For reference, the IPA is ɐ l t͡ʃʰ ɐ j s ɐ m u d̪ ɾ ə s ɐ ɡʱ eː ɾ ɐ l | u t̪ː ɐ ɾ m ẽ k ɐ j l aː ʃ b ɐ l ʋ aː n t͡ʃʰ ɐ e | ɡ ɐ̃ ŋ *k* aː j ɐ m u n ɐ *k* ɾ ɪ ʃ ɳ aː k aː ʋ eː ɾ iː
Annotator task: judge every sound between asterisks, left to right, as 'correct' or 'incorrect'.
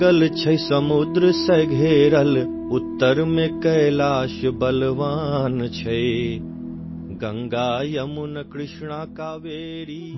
incorrect: ɡ, correct

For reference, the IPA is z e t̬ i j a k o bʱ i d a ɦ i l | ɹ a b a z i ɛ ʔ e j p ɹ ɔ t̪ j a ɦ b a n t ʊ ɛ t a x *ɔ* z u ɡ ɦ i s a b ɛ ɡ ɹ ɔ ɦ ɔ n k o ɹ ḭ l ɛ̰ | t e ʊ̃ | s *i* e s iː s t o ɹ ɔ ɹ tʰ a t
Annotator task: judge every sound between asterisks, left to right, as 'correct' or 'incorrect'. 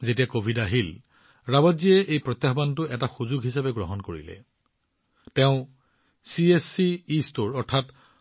incorrect: u, correct

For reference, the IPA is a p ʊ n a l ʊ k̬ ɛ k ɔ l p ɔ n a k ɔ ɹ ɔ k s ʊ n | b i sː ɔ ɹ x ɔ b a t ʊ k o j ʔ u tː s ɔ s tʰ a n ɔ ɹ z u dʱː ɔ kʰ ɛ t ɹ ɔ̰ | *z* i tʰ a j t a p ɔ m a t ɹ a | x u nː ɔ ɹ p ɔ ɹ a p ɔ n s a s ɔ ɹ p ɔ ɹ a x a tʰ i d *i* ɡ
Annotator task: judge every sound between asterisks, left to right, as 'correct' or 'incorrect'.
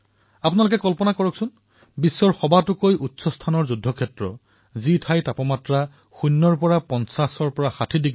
correct, correct

